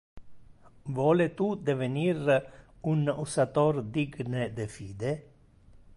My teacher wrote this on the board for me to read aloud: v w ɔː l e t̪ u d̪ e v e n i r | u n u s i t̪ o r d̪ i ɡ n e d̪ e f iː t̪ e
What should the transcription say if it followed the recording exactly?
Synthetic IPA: v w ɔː l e t̪ u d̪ e v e n i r | u n u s a t̪ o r d̪ i ɡ n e d̪ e f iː d̪ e

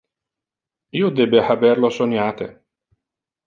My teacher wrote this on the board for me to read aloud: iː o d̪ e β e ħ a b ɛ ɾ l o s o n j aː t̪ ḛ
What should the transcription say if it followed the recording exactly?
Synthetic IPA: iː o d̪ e b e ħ a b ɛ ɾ l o s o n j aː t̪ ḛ

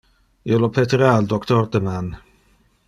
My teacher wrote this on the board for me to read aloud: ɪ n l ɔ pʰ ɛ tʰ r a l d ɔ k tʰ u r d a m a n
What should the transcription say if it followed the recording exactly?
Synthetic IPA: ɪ l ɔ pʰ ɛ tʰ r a l d ɔ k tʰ ɔ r d ə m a n

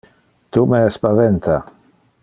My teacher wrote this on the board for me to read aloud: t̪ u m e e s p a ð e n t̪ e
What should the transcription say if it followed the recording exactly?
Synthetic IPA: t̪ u m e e s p a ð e n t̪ a

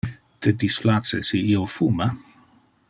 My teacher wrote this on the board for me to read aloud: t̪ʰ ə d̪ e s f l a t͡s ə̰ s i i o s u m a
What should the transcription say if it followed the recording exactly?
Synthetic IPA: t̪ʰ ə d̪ i s f l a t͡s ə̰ s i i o f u m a

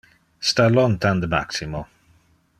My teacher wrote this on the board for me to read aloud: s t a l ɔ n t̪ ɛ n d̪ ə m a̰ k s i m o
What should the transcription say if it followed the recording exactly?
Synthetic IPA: s t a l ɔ n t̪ a n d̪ ə m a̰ k s i m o

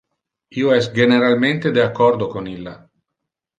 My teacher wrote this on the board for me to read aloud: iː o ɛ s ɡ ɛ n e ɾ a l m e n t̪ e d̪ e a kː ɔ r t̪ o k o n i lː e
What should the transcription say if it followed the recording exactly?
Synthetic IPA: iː o ɛ s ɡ e n e ɾ a l m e n t̪ e d̪ e a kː ɔ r d̪ o k o n i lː a

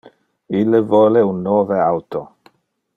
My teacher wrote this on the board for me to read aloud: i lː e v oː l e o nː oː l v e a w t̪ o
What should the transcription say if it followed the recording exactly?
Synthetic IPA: i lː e v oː l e u nː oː v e a w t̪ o

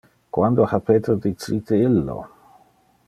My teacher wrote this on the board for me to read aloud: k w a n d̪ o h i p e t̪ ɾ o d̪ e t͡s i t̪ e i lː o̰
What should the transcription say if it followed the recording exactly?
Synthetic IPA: k w a n d̪ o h a p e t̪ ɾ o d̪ i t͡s i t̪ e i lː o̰

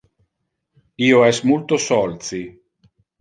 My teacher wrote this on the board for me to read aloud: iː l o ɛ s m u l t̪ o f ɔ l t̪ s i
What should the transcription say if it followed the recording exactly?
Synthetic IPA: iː o ɛ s m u l t̪ o s ɔ l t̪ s i

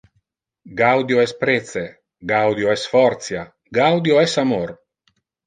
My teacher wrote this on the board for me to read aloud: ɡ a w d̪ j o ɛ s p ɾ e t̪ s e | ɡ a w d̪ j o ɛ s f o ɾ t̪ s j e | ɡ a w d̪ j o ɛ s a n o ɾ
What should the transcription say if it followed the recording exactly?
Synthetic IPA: ɡ a w d̪ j o ɛ s p ɾ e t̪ s e | ɡ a w d̪ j o ɛ s f ɔ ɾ t̪ s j a | ɡ a w d̪ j o ɛ s a m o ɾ

